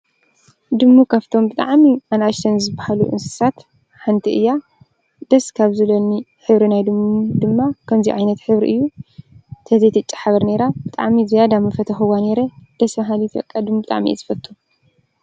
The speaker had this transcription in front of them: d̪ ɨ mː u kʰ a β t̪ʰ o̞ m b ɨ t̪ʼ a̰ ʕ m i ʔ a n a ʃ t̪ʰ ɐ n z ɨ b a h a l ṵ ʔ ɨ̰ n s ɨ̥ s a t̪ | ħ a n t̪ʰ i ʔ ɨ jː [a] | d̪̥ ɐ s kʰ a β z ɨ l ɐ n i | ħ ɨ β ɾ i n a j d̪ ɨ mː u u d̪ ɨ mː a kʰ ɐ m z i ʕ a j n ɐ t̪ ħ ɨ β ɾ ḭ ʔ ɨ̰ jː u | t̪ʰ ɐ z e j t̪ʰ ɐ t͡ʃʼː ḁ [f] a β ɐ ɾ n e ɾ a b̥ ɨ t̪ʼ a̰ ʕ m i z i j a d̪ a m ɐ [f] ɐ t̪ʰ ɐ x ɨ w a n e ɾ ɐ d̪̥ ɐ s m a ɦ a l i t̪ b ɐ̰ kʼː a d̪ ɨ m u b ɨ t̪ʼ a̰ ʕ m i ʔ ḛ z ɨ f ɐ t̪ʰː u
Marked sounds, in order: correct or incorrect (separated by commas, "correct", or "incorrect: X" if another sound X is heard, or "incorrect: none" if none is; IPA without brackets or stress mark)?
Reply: correct, incorrect: ħ, correct